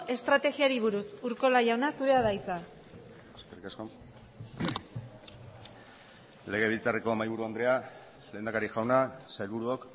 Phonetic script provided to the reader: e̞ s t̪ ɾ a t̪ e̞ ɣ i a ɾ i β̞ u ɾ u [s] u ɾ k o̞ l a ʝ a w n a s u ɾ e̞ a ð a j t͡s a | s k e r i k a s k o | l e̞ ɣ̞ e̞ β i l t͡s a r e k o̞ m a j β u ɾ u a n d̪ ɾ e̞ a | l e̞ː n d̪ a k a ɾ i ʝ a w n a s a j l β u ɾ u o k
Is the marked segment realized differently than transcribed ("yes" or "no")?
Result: no